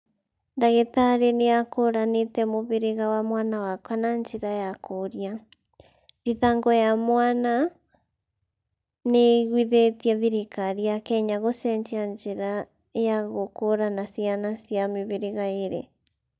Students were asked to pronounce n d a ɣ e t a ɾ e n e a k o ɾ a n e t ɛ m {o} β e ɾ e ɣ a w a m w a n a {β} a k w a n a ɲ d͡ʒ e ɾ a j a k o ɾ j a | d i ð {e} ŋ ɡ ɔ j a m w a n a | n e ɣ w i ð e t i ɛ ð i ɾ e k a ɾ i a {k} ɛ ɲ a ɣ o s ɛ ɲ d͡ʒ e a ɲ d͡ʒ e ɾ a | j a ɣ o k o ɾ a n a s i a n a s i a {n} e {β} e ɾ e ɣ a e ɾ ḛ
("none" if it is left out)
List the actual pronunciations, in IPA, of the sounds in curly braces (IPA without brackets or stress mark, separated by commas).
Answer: o, w, a, k, m, β